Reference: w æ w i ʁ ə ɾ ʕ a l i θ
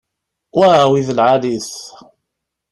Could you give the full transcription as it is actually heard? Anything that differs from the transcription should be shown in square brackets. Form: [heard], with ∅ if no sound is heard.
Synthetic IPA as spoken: w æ w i [ð] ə [l] ʕ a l i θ